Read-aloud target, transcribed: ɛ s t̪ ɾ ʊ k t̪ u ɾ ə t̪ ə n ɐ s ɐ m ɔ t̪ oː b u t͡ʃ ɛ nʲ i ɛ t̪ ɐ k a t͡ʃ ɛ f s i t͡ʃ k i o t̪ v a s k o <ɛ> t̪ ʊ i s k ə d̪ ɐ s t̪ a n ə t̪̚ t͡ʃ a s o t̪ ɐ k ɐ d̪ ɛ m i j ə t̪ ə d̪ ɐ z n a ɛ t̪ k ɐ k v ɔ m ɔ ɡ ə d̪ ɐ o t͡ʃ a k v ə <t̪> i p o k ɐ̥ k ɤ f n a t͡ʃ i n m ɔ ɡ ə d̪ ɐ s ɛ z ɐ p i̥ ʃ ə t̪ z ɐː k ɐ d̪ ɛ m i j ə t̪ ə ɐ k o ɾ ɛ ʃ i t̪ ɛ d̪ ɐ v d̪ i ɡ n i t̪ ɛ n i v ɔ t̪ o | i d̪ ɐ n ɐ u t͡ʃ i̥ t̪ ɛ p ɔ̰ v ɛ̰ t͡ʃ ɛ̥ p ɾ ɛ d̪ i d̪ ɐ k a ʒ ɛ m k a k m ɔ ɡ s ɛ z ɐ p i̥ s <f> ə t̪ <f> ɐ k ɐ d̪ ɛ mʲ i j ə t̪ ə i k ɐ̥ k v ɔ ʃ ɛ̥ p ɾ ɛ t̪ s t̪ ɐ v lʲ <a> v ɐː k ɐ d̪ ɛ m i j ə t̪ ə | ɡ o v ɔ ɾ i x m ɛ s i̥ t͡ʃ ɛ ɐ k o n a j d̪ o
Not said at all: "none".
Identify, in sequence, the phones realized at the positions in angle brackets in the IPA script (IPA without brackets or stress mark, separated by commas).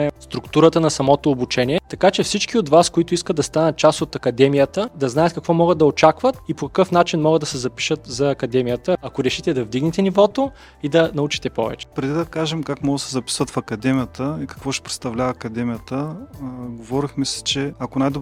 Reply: i, t̪, v, f, a